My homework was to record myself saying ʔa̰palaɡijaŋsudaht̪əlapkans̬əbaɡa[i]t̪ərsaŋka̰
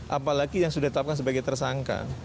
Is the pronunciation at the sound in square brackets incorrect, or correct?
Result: incorrect